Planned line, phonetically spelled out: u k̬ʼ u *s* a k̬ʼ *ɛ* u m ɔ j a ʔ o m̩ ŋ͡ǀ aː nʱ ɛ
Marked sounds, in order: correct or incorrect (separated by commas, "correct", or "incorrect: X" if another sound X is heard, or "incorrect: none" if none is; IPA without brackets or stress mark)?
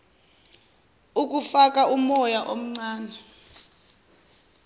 incorrect: f, incorrect: a